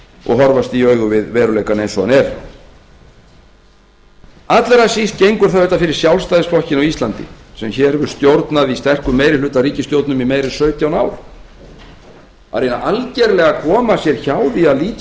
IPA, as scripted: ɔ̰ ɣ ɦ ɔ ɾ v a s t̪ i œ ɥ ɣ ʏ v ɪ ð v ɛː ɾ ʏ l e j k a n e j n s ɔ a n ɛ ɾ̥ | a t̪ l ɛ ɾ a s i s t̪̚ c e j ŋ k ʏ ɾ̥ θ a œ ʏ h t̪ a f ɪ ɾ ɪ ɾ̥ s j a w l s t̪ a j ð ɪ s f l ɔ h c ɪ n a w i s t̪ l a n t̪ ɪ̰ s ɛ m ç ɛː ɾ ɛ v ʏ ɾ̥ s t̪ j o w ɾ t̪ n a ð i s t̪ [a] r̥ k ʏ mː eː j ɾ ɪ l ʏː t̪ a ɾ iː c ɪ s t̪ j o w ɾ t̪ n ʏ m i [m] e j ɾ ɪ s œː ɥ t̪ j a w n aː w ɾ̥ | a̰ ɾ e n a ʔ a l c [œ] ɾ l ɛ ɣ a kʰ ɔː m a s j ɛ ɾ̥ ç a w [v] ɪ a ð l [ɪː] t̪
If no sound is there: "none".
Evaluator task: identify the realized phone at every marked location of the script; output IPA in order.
ɛ, m, ɛ, ð, iː

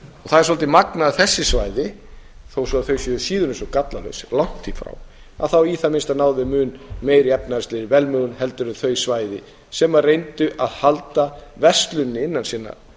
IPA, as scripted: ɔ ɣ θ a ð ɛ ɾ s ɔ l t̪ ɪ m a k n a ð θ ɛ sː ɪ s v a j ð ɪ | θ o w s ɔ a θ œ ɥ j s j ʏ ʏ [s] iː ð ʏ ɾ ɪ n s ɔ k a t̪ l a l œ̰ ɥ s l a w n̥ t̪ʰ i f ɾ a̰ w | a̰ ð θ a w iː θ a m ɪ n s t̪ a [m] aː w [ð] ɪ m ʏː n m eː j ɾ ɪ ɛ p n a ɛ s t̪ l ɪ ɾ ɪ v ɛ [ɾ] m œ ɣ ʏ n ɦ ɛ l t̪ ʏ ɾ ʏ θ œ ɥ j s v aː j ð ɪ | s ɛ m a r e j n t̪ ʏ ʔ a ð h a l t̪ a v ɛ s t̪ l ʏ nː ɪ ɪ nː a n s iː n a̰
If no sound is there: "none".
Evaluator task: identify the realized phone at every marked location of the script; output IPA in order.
s, n, ð, l

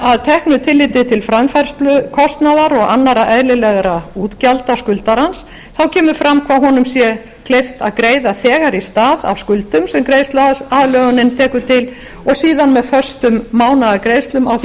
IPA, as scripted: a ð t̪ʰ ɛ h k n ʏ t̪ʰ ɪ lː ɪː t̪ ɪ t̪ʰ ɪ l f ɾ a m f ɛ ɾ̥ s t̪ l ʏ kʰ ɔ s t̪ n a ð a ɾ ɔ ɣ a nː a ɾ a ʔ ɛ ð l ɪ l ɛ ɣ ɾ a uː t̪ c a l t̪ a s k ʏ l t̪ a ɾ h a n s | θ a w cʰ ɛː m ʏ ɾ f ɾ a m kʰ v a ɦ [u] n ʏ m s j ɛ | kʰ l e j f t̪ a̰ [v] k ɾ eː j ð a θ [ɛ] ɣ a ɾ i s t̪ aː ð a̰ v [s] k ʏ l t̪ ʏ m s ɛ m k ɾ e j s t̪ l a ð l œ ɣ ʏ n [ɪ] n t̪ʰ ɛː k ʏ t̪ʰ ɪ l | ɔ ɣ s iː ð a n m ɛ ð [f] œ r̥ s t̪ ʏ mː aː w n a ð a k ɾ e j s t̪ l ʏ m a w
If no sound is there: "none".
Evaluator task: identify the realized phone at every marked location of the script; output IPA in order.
ɔ, ð, ɛː, s, ɪ, f

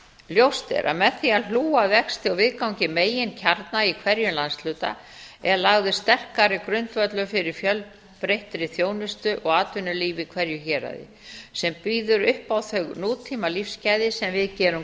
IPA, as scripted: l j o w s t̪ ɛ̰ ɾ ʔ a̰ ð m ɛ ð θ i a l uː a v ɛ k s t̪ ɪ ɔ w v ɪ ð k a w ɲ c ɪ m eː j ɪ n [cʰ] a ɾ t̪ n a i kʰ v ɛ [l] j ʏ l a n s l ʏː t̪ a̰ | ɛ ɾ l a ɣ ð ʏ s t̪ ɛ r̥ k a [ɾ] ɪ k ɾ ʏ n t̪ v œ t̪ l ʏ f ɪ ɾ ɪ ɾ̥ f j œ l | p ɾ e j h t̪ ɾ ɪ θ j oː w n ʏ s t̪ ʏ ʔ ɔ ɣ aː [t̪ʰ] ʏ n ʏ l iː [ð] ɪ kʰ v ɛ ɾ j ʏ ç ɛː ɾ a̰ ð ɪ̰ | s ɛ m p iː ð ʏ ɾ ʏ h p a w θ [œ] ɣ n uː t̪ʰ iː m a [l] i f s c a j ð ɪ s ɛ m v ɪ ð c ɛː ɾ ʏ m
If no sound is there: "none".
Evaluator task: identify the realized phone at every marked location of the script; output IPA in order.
cʰ, ɾ, ɾ, t̪, v, œ, l

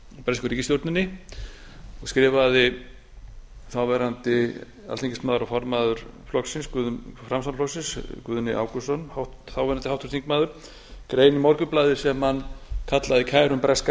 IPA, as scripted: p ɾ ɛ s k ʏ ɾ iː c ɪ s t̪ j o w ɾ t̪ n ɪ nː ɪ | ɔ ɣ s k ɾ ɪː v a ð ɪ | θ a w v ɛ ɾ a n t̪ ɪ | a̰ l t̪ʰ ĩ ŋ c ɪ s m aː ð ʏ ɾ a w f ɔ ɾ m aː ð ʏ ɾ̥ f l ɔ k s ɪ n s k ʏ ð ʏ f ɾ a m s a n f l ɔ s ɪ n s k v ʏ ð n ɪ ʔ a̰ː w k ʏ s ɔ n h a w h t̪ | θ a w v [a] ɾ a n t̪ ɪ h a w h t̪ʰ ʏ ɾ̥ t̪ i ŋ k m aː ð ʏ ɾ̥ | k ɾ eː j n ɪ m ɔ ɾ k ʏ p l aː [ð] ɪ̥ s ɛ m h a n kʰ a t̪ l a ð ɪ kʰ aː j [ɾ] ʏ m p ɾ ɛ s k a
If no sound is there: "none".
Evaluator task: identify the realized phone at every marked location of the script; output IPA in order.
ɛ, ð, ɾ

